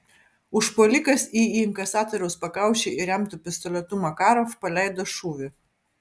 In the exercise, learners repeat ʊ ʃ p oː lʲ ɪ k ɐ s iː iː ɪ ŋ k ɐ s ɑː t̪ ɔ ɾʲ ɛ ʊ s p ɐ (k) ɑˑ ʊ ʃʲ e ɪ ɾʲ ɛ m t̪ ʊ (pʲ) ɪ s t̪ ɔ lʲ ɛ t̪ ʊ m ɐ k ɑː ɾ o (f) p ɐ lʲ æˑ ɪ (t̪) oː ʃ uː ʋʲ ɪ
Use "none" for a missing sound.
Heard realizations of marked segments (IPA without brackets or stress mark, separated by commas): k, pʲ, f, d̪